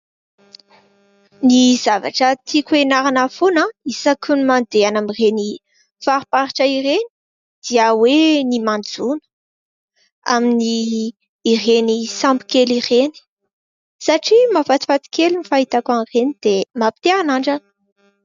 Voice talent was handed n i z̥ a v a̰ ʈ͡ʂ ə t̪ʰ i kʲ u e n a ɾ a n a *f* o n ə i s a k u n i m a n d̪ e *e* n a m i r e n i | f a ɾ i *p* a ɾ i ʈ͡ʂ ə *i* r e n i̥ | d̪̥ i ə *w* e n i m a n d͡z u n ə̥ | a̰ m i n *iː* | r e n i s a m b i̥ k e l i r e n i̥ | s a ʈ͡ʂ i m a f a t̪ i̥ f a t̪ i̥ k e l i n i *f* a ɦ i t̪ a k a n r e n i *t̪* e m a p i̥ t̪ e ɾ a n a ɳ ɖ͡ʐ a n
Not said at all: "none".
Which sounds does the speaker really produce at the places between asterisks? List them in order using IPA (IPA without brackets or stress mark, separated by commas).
f, a, p, i, w, iː, f, d̪